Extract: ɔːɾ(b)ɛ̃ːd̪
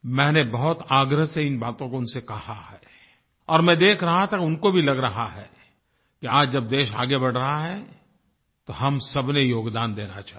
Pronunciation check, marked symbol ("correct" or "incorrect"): incorrect